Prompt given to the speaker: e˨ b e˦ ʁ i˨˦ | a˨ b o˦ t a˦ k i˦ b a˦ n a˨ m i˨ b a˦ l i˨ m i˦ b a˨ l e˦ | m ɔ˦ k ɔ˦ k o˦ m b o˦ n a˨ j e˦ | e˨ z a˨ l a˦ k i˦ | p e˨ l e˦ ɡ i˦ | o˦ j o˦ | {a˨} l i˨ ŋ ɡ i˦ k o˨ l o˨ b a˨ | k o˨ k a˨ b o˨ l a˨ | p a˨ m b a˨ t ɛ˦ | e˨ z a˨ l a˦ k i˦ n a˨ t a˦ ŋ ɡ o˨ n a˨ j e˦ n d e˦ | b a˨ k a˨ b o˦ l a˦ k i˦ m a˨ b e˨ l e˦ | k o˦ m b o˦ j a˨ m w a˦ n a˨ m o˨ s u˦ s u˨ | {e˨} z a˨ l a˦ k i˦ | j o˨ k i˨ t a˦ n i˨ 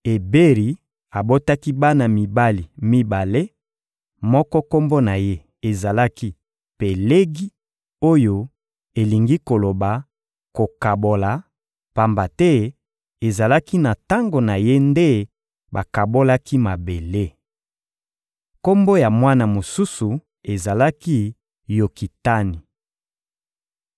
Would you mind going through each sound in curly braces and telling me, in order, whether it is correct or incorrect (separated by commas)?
incorrect, correct